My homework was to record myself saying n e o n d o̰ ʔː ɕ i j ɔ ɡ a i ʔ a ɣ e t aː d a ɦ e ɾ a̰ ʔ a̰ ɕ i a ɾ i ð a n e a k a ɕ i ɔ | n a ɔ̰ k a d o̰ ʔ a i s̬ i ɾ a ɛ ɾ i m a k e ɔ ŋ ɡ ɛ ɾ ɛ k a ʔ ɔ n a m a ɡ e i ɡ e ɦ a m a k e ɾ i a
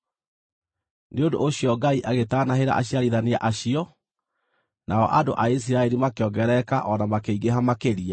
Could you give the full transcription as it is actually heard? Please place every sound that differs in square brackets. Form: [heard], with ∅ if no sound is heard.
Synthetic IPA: n e o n d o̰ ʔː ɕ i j ɔ ɡ a i ʔ a ɣ e t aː [n] a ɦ e ɾ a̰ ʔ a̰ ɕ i a ɾ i ð a n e a [ʔ] a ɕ i ɔ | n a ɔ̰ [ʔ] a d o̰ ʔ a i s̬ i ɾ a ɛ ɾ i m a k e ɔ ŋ ɡ ɛ ɾ ɛ k a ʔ ɔ n a m a [k] e i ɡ e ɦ a m a k e ɾ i a